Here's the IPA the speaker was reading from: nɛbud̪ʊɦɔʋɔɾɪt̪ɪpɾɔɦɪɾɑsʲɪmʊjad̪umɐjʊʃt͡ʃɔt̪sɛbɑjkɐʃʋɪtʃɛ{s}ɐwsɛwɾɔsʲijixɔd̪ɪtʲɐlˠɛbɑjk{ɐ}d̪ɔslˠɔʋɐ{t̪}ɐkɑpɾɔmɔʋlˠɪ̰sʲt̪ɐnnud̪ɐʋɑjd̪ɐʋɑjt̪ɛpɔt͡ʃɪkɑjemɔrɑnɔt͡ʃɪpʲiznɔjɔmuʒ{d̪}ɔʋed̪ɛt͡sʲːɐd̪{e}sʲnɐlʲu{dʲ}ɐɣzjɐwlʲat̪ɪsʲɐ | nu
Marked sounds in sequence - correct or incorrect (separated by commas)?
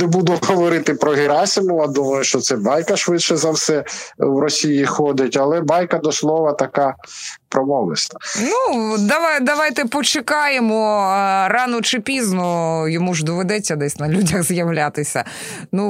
incorrect, correct, correct, correct, incorrect, correct